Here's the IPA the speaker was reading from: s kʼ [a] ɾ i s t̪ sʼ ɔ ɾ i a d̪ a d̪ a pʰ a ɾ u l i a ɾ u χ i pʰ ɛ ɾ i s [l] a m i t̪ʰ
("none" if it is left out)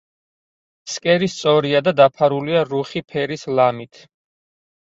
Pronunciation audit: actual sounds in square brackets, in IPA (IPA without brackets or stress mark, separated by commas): ɛ, l